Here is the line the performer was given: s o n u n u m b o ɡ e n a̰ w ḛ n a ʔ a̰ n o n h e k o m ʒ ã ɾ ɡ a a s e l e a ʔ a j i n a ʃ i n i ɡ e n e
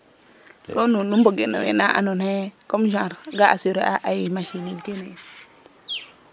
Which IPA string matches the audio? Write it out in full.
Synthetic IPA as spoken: s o n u n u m b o ɡ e n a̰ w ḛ n a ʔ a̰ n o n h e k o m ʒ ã ɾ ɡ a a s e ɾ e a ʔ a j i m a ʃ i n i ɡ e n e